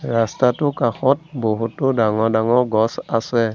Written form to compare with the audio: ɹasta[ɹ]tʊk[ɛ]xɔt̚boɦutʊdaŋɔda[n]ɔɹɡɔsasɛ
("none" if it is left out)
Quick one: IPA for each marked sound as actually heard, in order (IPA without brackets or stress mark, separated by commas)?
none, a, ŋ